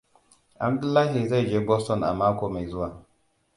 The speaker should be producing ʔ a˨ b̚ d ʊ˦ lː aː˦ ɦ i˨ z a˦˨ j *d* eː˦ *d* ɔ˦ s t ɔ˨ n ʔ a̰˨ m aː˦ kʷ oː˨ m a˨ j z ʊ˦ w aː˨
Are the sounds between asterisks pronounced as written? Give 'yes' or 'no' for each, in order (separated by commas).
no, no